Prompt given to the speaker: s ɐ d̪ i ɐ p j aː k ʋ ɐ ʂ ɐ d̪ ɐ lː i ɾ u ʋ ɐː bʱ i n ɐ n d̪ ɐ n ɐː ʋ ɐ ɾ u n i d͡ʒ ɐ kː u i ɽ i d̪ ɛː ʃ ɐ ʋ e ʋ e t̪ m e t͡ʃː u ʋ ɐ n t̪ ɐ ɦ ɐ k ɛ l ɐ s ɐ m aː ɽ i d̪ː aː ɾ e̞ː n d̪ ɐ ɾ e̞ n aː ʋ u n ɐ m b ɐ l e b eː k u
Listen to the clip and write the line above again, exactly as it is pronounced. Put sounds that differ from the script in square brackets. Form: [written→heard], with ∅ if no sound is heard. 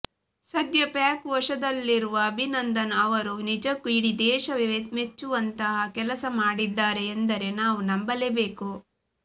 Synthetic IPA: s ɐ d̪ [i→j] ɐ p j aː k ʋ ɐ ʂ ɐ d̪ ɐ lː i ɾ u ʋ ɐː bʱ i n ɐ n d̪ ɐ n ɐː ʋ ɐ ɾ u n i d͡ʒ ɐ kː u i ɽ i d̪ ɛː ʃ ɐ ʋ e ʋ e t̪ m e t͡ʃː u ʋ ɐ n t̪ ɐ ɦ ɐ k ɛ l ɐ s ɐ m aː ɽ i d̪ː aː ɾ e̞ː n d̪ ɐ ɾ e̞ n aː ʋ u n ɐ m b ɐ l e b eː k u